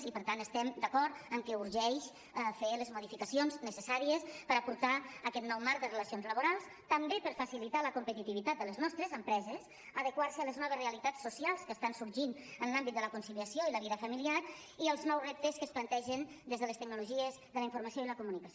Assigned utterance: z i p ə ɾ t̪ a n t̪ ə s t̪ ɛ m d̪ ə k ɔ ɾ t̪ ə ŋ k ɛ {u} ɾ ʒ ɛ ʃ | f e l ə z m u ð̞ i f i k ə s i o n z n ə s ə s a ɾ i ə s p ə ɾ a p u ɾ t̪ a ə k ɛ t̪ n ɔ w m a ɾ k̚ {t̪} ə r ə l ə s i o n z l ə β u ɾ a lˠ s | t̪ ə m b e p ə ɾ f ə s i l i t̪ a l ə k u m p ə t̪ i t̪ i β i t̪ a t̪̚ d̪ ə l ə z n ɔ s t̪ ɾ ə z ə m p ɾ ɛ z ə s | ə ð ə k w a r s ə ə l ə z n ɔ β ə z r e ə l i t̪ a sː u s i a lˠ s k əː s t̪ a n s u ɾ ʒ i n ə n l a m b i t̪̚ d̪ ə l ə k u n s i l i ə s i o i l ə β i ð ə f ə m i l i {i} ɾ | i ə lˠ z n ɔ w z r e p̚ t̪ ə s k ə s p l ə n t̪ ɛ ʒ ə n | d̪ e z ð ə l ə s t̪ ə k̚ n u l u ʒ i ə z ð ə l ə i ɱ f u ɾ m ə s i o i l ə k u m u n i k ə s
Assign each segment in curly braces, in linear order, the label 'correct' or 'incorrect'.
correct, incorrect: d̪, incorrect: a

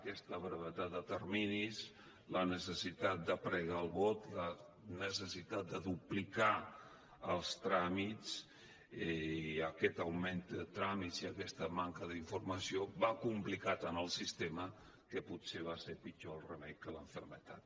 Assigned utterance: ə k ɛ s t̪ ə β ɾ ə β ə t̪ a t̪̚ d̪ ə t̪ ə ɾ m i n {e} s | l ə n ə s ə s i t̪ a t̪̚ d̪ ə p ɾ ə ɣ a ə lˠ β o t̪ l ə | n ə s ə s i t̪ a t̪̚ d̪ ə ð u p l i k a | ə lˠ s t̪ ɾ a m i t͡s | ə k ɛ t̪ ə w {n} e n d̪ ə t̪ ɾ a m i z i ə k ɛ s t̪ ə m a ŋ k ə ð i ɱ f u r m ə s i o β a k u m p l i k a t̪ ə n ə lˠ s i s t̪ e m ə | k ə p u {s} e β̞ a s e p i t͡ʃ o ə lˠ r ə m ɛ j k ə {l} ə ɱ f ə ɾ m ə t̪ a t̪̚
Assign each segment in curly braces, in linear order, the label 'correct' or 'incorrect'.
incorrect: i, incorrect: m, correct, correct

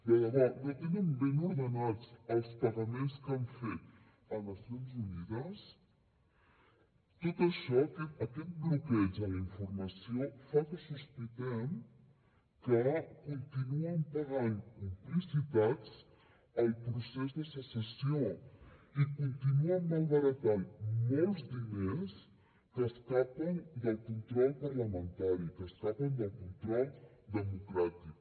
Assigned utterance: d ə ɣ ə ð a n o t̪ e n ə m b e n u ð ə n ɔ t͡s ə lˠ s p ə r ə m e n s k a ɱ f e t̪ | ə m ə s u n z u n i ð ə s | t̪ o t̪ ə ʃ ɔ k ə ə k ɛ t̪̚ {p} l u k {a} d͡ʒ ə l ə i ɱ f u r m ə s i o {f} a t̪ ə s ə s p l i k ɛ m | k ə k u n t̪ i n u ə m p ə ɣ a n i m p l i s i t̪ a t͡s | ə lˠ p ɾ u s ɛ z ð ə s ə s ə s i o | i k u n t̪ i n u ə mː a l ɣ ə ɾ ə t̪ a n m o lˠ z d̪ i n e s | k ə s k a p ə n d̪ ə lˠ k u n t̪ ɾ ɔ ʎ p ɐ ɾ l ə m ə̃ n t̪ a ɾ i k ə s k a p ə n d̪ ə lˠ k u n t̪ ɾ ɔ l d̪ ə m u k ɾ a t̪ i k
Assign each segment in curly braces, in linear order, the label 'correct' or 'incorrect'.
incorrect: b, incorrect: ɛ, correct

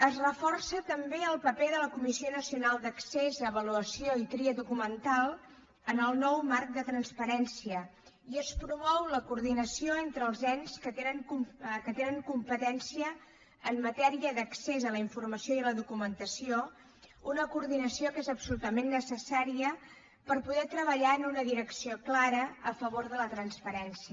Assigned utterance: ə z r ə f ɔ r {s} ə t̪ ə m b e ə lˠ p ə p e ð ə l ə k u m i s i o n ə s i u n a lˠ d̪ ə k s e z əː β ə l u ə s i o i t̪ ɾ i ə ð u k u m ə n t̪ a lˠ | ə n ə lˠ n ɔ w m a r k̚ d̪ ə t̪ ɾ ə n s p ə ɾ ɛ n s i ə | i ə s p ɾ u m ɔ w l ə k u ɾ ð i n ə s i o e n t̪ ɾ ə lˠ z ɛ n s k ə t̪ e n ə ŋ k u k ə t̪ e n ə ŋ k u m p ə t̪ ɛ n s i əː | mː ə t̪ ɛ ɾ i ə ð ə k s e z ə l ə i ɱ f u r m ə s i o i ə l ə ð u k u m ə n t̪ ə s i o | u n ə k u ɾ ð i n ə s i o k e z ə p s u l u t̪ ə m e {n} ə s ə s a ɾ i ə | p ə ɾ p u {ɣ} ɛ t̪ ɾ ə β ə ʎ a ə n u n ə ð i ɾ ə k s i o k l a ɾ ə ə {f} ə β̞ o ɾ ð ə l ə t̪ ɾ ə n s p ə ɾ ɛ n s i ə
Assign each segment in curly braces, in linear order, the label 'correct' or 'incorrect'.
correct, incorrect: nː, incorrect: ð, correct

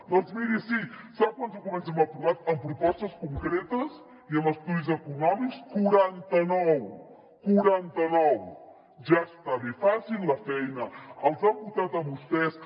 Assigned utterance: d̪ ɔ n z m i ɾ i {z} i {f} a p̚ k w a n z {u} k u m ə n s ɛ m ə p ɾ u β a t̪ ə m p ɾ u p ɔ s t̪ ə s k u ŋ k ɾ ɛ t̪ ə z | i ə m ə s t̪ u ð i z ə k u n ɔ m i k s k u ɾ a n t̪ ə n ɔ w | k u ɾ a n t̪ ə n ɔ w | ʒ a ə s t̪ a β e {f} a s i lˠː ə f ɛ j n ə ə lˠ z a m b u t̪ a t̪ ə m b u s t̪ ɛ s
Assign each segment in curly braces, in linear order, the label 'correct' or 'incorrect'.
incorrect: s, incorrect: s, correct, correct

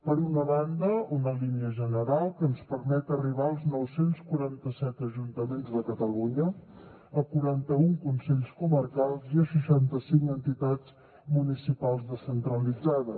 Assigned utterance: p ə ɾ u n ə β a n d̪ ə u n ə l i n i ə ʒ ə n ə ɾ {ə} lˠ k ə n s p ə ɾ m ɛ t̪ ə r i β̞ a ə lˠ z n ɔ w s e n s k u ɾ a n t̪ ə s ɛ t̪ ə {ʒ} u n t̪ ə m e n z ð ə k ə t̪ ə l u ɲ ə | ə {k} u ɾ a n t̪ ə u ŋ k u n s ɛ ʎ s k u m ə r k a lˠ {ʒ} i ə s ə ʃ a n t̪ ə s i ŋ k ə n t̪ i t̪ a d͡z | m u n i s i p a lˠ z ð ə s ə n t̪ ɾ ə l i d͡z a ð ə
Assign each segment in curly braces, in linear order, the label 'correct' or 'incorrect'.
incorrect: a, correct, correct, incorrect: z

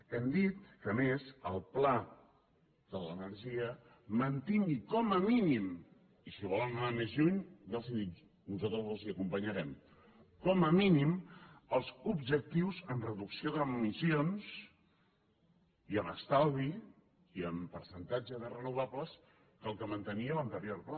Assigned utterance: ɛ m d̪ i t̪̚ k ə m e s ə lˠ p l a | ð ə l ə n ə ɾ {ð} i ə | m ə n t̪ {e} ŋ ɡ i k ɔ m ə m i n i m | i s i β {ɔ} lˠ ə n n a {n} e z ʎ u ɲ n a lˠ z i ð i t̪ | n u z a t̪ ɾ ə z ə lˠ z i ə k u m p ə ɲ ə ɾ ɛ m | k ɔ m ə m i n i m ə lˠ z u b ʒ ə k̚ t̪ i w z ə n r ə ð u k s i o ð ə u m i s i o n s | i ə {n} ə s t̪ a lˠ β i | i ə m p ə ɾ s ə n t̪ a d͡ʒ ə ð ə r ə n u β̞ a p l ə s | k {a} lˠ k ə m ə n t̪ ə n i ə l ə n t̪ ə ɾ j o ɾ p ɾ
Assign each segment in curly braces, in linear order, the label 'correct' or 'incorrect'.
incorrect: ʒ, incorrect: i, correct, incorrect: m, incorrect: m, incorrect: ə

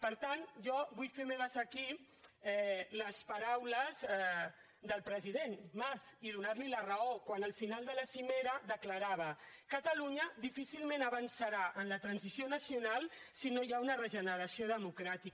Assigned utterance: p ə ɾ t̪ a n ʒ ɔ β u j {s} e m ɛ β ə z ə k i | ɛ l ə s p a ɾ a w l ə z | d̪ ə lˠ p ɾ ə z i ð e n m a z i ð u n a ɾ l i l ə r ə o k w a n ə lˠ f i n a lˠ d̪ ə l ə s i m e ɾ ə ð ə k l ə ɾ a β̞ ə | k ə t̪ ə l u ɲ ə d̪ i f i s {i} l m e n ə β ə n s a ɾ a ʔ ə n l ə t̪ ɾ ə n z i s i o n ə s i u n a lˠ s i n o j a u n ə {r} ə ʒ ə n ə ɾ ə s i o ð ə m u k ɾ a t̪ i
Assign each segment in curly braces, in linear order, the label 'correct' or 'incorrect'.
incorrect: f, correct, correct

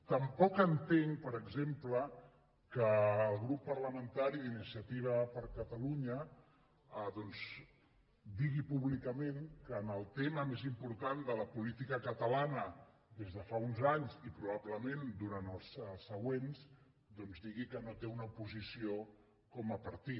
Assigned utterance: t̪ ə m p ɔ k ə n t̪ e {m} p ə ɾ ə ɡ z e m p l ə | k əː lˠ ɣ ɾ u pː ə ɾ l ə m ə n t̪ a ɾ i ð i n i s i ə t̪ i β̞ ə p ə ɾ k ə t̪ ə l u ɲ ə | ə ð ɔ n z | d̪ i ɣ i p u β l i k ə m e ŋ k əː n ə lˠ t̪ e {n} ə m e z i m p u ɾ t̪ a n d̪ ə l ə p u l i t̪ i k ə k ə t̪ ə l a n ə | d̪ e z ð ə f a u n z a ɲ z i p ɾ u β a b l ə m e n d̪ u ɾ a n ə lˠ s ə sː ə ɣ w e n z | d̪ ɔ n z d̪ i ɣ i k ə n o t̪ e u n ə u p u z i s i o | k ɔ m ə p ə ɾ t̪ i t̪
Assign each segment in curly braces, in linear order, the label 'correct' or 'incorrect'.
incorrect: ŋ, incorrect: m

